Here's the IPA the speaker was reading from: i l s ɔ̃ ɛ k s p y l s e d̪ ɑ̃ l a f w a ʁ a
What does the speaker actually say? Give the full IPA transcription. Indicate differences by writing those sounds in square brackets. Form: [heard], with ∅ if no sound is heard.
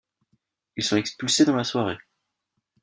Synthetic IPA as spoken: i l s ɔ̃ ɛ k s p y l s e d̪ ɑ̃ l a [s] w a ʁ [e]

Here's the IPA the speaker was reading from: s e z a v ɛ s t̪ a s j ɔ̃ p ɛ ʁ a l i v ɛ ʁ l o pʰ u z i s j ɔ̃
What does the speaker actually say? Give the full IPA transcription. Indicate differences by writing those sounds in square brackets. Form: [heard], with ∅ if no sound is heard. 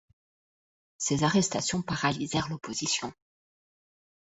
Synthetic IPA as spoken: s e z a [ʁ] ɛ s t̪ a s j ɔ̃ p [a] ʁ a l i [z] ɛ ʁ l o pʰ [o] z i s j ɔ̃

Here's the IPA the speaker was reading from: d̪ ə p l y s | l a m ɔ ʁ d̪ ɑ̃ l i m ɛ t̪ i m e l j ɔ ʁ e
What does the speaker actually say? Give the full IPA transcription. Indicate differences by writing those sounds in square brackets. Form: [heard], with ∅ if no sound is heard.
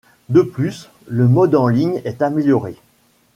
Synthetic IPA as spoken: d̪ ə p l y s | l [ə] m ɔ [∅] d̪ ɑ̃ l i [ɲ] ɛ t̪ [a] m e l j ɔ ʁ e

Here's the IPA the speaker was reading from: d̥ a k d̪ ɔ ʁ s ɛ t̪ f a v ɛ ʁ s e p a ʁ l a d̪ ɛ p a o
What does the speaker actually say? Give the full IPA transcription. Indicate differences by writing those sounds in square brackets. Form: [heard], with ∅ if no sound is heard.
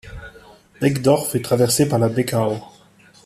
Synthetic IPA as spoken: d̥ [ɛ] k d̪ ɔ ʁ [f] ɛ t̪ [χ] a v ɛ ʁ s e p a ʁ l a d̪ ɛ [k] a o

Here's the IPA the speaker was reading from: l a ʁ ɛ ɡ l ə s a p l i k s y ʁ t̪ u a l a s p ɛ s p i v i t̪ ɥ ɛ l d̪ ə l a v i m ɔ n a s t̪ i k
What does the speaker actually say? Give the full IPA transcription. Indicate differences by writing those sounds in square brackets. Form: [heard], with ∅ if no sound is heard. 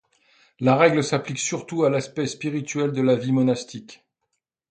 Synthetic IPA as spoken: l a ʁ ɛ ɡ l ə s a p l i k s y ʁ t̪ u a l a s p ɛ s p i [ʁ] i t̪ ɥ ɛ l d̪ ə l a v i m ɔ n a s t̪ i k

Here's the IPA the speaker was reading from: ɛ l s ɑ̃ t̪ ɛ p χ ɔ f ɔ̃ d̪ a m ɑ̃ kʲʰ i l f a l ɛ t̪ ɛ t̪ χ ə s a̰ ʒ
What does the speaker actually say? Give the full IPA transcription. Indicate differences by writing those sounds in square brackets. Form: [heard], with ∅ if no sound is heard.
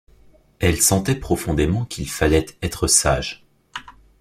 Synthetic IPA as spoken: ɛ l s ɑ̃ t̪ ɛ p χ ɔ f ɔ̃ d̪ [e] m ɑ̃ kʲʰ i l f a l ɛ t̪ ɛ t̪ χ ə s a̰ ʒ

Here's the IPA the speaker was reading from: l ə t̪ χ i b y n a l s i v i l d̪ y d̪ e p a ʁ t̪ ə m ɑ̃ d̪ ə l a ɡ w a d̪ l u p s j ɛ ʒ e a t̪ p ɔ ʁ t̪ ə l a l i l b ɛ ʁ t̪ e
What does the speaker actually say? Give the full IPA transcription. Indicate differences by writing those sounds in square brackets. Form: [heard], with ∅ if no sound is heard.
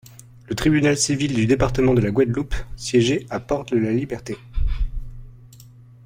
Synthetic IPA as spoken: l ə t̪ χ i b y n a l s i v i l d̪ y d̪ e p a ʁ t̪ ə m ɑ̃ d̪ ə l a ɡ w a d̪ l u p s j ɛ ʒ e a [∅] p ɔ ʁ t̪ ə l a l i [∅] b ɛ ʁ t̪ e

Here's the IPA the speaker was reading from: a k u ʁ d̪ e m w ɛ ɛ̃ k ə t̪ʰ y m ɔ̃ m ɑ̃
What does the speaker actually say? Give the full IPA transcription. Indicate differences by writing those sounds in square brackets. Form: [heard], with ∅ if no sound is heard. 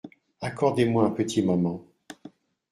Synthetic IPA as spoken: a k [ɔ] ʁ d̪ e m w [a] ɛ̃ [p] ə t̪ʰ [i] m [ɔ] m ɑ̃

